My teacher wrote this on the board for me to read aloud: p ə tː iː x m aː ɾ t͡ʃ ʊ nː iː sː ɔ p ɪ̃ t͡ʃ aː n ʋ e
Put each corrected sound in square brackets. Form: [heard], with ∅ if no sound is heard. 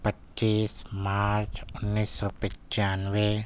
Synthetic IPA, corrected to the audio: p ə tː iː [s] m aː ɾ t͡ʃ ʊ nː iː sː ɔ p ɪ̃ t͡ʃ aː n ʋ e